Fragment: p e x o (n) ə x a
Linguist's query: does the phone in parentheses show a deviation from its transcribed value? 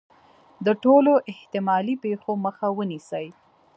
yes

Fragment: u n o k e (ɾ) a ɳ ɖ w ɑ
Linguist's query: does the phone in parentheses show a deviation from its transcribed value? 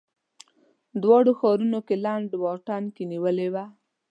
yes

